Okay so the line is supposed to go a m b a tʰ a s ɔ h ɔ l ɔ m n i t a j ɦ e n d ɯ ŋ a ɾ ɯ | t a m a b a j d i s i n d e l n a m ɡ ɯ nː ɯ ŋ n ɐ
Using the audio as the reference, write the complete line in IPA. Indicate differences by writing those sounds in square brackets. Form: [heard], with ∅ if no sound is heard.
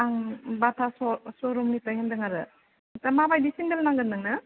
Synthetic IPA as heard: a [ŋ] b a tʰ a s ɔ [s] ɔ [ɾ] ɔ m n i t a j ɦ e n d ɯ ŋ a ɾ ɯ | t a m a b a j d i s i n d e l n a [ŋ] ɡ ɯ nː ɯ ŋ n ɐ